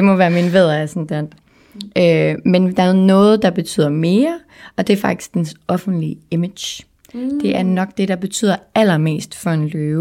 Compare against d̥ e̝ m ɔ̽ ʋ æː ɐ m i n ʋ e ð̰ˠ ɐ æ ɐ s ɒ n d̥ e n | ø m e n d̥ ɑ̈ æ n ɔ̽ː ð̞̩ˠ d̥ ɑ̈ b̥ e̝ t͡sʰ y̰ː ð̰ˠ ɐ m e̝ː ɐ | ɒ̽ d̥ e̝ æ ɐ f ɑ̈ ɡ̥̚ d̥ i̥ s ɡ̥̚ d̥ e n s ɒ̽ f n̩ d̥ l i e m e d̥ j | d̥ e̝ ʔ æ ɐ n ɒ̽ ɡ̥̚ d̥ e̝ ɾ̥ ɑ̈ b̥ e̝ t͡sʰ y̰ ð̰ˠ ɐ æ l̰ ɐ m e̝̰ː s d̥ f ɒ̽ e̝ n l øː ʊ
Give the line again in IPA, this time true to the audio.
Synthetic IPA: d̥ e̝ m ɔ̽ ʋ æː ɐ m i n ʋ e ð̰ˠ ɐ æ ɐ s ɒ n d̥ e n | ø m e n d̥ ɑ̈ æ n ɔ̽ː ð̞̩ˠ d̥ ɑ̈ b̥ e̝ t͡sʰ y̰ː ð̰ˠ ɐ m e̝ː ɐ | ɒ̽ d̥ e̝ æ ɐ f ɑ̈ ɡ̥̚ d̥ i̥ s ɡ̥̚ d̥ e n s ɒ̽ f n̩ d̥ l i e m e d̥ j | d̥ e̝ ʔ æ ɐ n ɒ̽ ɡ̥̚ d̥ e̝ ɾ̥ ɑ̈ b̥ e̝ t͡sʰ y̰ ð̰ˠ ɐ æ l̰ ɐ m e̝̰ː s d̥ f ɒ̽ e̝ n l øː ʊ